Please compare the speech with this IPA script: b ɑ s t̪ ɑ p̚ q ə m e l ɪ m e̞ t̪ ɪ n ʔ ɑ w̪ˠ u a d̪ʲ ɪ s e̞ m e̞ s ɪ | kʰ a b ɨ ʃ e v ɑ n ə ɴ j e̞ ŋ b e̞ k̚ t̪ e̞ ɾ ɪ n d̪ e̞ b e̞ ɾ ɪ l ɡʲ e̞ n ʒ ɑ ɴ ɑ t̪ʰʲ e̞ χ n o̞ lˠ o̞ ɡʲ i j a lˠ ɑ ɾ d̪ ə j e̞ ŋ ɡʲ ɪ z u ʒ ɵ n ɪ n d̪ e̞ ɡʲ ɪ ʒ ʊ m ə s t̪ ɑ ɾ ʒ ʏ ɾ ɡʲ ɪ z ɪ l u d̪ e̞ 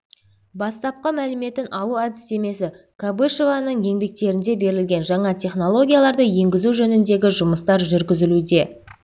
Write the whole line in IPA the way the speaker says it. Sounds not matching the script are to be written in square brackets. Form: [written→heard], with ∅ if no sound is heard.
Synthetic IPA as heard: b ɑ s t̪ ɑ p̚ q ə m [e→æ] l ɪ m e̞ t̪ ɪ n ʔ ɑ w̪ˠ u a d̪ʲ ɪ s e̞ m e̞ s ɪ | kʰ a b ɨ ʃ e v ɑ n ə ɴ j e̞ ŋ b e̞ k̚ t̪ e̞ ɾ ɪ n d̪ e̞ b e̞ ɾ ɪ l ɡʲ e̞ n ʒ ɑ ɴ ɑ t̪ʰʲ e̞ χ n o̞ lˠ o̞ ɡʲ i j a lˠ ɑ ɾ d̪ ə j e̞ ŋ ɡʲ ɪ z u ʒ ɵ n ɪ n d̪ e̞ ɡʲ ɪ ʒ ʊ m ə s t̪ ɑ ɾ ʒ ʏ ɾ ɡʲ ɪ z ɪ l u d̪ e̞